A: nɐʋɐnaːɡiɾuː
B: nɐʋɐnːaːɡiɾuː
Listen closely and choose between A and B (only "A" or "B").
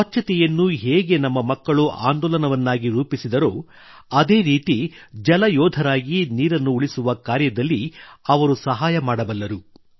B